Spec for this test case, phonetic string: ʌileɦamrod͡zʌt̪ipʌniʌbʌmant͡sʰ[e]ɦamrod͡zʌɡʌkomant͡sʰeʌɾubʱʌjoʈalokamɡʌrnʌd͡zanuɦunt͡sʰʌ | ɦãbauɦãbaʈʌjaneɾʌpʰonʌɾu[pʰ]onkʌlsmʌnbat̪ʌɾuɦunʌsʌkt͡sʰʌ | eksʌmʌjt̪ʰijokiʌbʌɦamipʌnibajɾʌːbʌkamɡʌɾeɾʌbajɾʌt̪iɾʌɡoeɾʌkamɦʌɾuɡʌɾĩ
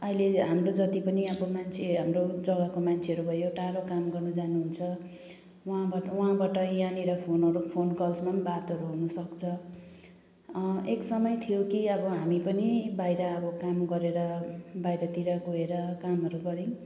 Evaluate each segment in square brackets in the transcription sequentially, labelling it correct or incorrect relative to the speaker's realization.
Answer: correct, correct

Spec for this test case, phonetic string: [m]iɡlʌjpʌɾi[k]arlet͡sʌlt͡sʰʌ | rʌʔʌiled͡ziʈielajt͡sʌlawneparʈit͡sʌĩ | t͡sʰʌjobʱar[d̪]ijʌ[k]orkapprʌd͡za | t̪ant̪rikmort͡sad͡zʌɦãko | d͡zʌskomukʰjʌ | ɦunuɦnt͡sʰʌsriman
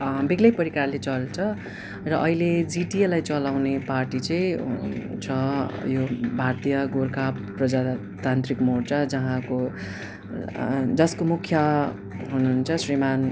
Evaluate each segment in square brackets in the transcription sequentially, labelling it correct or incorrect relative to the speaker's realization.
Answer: incorrect: b, correct, incorrect: t̪, incorrect: ɡ

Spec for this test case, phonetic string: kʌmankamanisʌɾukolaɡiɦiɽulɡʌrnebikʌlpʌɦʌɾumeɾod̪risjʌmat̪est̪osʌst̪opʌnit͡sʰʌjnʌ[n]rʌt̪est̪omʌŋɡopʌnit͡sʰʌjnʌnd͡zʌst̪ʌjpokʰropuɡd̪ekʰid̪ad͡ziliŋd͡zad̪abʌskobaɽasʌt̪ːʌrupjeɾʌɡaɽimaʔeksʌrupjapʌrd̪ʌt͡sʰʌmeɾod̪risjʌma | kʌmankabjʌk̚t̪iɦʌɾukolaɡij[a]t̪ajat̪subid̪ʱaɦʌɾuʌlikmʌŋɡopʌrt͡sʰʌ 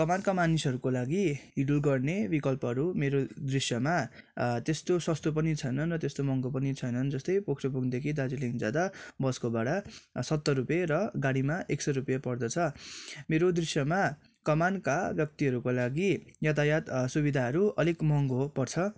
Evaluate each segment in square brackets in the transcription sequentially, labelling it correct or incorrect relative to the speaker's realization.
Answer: correct, incorrect: ʌ

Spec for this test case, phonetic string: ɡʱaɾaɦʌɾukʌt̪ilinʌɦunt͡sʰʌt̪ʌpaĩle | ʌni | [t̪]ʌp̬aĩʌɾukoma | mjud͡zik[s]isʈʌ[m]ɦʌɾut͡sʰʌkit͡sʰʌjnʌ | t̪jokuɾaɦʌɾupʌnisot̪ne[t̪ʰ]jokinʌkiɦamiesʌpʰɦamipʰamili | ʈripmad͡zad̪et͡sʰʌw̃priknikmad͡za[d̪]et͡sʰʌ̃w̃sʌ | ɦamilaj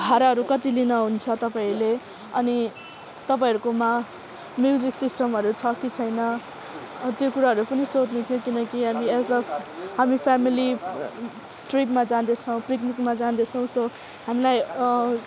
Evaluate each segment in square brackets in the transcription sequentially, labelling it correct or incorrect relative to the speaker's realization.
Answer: correct, correct, correct, correct, correct

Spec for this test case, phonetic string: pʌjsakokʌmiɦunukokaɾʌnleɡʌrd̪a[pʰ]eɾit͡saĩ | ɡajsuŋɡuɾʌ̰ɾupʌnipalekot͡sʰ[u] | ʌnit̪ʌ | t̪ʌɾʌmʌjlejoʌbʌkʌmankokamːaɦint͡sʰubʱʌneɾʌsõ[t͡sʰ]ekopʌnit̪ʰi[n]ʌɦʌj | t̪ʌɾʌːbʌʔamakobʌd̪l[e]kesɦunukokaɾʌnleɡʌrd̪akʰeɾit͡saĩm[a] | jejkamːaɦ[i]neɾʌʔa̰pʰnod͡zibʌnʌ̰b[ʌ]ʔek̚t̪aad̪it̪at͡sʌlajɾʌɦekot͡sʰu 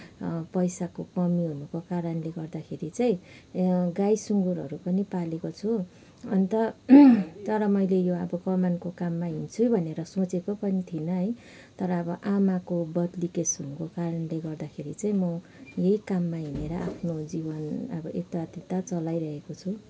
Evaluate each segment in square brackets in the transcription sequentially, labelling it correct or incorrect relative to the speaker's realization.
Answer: incorrect: kʰ, correct, incorrect: t͡s, correct, incorrect: i, incorrect: ʌ, correct, correct

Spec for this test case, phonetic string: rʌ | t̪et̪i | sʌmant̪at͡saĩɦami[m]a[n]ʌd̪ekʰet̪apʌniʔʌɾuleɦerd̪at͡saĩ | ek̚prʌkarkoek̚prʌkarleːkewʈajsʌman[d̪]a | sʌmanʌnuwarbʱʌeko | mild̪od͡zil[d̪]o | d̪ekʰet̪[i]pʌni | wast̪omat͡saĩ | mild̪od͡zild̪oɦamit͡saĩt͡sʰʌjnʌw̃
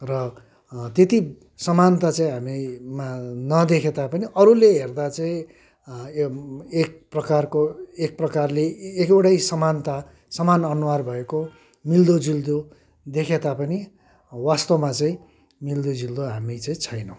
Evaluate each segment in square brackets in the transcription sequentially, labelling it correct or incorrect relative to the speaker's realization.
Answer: correct, correct, incorrect: t̪, correct, incorrect: a

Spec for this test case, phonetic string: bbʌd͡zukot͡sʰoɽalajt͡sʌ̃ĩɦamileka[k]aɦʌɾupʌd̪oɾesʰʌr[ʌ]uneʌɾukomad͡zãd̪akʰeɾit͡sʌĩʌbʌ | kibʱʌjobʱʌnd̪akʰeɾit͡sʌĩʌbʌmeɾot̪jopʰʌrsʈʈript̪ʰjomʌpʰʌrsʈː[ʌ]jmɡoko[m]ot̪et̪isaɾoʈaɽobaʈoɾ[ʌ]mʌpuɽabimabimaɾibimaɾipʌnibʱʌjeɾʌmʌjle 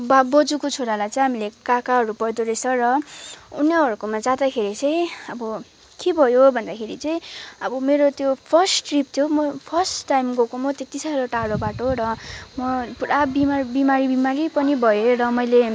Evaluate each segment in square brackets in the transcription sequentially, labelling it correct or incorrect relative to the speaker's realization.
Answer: correct, correct, incorrect: a, correct, correct

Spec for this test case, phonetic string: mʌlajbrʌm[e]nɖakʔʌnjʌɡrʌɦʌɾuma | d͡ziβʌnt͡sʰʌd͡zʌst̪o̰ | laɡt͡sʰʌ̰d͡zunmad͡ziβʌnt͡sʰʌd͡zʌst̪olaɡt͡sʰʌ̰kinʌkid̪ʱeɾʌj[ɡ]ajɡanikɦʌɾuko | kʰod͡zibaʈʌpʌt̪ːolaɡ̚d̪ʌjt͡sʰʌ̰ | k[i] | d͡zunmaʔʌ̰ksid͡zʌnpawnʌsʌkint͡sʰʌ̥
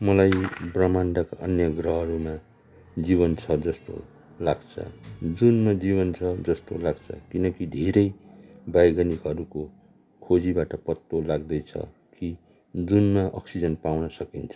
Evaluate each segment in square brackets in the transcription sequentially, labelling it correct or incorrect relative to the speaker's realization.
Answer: incorrect: a, incorrect: b, correct

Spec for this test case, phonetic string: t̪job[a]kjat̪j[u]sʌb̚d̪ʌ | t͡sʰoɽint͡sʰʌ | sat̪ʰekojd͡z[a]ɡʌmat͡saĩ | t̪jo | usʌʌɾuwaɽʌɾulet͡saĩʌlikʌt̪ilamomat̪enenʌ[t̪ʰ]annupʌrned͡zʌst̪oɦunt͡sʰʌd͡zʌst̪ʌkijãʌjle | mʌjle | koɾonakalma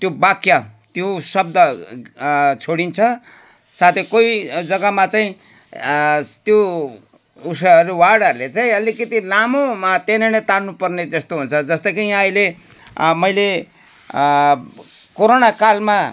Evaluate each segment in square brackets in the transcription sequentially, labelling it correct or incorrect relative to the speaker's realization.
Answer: correct, incorrect: o, incorrect: ʌ, incorrect: t̪

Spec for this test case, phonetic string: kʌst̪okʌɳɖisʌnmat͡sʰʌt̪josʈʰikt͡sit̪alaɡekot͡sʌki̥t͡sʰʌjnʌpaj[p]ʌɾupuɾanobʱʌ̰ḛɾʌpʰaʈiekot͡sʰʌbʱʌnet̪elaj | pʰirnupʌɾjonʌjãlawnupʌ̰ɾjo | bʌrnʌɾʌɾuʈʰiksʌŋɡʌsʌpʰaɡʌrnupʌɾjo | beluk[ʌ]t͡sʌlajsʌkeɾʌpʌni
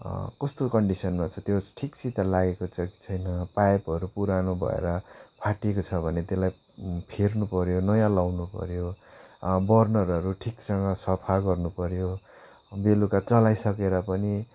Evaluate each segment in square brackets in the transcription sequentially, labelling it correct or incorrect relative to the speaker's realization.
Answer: correct, incorrect: a

